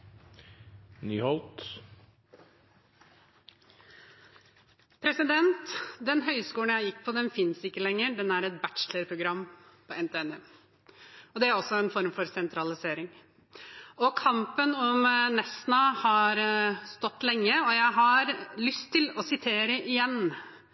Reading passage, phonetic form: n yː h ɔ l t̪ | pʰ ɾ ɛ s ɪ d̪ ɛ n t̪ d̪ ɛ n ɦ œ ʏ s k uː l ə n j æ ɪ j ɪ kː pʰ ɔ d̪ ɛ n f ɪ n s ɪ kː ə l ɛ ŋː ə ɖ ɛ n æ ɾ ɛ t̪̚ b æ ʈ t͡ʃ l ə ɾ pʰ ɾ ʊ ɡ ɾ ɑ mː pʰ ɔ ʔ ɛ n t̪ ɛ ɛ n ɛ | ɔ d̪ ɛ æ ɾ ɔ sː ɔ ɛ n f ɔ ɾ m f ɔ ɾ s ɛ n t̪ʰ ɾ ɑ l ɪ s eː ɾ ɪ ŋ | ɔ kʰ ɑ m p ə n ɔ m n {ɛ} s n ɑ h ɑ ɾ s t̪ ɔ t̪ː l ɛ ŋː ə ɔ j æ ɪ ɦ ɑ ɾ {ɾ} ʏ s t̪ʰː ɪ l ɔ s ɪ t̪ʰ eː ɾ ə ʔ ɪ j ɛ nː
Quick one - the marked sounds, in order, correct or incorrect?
correct, incorrect

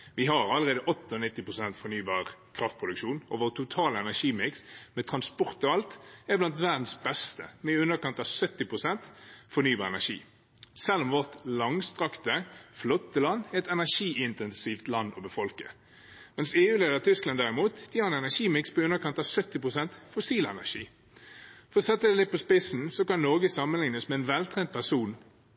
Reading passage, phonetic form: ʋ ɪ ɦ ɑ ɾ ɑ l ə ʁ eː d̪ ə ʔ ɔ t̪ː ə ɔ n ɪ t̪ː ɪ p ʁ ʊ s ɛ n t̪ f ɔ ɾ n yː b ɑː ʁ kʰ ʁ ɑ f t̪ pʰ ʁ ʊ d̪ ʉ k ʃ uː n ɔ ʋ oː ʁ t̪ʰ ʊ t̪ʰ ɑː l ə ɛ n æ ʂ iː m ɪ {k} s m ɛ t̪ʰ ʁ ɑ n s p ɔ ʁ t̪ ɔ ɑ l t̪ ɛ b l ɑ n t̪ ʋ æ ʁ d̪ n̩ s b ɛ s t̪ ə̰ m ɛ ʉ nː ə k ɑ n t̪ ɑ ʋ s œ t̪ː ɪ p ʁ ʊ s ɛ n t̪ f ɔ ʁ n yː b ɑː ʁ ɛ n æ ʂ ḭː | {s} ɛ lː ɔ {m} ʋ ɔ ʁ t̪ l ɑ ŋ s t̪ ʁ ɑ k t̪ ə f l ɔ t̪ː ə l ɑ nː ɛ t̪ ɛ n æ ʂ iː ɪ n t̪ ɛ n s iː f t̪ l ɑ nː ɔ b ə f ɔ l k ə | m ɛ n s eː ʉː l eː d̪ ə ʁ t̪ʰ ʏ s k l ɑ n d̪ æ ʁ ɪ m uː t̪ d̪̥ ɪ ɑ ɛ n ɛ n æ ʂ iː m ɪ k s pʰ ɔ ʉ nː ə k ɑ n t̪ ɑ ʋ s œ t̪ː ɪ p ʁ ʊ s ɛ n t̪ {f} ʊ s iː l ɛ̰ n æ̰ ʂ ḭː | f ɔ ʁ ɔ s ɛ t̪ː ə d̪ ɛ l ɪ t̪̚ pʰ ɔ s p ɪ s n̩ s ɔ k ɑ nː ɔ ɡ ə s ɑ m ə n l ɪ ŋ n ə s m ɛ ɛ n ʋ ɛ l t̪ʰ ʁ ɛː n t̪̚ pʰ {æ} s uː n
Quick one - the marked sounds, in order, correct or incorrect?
correct, correct, correct, correct, correct

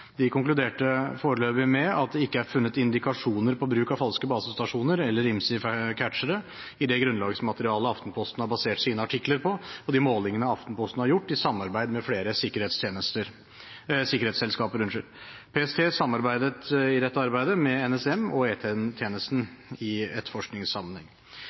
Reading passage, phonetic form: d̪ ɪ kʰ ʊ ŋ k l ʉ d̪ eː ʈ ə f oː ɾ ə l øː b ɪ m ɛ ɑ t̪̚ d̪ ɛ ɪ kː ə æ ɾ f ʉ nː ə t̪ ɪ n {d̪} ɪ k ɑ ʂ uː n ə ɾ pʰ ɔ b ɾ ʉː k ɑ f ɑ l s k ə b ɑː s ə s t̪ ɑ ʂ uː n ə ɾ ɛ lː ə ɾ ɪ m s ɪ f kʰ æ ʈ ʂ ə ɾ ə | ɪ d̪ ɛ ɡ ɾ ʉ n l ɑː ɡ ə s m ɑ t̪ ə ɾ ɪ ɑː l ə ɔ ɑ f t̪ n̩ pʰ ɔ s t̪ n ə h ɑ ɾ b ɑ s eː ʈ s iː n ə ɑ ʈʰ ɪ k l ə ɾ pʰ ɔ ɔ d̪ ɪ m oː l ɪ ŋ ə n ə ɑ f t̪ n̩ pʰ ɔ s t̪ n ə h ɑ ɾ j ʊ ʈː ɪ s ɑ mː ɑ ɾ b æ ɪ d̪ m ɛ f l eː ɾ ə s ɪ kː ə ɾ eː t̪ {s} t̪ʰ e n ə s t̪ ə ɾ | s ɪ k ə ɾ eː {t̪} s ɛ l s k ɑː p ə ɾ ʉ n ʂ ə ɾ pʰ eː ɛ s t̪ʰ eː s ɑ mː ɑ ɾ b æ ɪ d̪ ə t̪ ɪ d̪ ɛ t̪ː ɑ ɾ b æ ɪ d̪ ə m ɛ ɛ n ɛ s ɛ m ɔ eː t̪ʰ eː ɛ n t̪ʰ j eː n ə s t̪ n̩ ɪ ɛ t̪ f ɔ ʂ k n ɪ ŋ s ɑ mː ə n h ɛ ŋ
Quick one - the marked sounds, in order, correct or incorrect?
correct, correct, correct

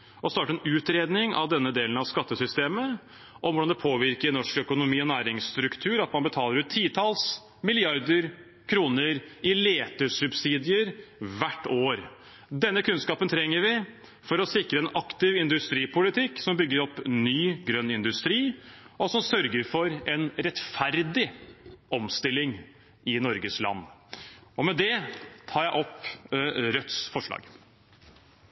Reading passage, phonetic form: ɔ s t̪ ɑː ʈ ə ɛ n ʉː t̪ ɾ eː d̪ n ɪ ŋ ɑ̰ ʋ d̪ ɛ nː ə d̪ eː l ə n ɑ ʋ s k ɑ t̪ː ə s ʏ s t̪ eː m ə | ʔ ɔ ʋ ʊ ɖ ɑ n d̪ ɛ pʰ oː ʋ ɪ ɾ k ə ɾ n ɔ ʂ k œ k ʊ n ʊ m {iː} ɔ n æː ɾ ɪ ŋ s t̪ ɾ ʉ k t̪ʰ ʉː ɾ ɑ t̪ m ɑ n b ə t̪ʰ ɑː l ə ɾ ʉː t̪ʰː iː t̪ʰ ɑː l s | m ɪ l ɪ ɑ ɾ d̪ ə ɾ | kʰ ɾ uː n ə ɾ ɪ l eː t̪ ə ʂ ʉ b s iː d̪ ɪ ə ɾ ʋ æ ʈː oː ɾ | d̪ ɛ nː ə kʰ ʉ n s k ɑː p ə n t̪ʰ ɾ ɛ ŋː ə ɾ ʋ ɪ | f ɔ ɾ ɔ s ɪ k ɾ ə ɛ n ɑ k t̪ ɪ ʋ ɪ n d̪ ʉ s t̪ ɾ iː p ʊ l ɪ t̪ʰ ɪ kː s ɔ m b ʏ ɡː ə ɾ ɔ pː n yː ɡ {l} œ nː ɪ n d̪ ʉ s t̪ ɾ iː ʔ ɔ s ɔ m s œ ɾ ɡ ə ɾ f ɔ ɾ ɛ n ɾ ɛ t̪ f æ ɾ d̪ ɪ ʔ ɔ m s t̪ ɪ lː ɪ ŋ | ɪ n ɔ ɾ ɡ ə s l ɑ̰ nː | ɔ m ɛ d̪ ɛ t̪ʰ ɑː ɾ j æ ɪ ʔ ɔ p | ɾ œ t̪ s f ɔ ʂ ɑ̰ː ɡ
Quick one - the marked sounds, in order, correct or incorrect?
correct, incorrect

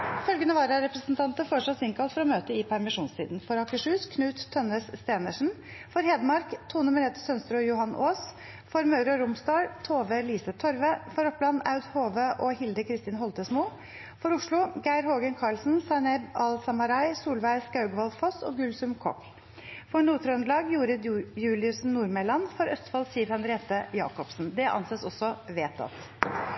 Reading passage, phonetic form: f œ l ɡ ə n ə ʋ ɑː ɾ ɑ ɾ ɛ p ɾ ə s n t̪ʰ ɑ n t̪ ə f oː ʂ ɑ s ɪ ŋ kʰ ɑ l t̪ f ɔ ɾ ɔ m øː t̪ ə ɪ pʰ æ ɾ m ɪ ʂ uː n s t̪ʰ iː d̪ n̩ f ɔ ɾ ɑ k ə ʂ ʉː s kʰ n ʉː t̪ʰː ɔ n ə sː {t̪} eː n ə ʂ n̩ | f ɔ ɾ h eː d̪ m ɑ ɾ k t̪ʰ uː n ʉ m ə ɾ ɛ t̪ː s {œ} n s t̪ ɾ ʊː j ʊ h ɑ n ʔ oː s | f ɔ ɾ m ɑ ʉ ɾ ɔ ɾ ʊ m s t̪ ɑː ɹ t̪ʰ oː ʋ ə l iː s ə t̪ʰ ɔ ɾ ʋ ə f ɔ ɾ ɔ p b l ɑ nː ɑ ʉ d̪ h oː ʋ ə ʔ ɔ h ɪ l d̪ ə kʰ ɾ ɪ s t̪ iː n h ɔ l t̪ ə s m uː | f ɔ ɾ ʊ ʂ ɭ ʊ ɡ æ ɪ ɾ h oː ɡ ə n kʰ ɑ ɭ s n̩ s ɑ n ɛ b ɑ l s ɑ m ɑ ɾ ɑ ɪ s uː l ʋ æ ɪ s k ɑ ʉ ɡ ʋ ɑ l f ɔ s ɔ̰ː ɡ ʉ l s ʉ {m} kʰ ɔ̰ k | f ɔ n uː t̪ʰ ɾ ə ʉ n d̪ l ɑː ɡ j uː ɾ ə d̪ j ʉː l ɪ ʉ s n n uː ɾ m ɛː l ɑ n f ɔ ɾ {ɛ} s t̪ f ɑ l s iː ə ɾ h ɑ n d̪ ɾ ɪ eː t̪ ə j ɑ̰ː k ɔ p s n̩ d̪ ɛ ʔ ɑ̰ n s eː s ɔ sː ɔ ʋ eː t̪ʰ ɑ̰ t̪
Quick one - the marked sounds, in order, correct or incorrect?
correct, correct, correct, incorrect

